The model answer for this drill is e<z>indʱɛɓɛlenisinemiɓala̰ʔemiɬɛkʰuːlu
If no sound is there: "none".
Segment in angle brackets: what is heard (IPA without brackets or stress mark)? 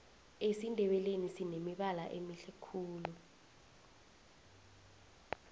s